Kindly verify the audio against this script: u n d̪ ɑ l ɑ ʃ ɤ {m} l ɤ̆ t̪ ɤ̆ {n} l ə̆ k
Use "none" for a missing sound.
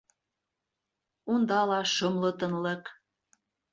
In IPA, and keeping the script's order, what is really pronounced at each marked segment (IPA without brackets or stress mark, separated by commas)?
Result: m, n